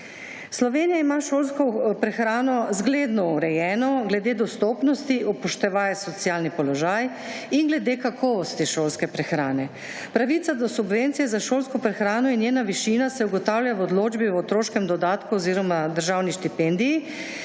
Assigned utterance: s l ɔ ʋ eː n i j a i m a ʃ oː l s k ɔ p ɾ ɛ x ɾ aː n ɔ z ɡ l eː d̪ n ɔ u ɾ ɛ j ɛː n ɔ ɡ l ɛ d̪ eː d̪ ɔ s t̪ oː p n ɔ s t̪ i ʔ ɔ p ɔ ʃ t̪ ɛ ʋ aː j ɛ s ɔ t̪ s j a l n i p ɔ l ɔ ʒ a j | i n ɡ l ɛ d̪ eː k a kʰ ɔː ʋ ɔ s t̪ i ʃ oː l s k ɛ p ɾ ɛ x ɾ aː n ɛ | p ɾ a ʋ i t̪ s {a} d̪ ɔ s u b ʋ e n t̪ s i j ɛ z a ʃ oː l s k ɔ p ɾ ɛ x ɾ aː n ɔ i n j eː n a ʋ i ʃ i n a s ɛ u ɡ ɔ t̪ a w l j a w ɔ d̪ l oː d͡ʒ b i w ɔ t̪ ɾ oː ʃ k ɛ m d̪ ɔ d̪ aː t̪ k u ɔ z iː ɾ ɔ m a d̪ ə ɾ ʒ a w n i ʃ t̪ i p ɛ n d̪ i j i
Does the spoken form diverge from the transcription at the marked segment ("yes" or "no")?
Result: no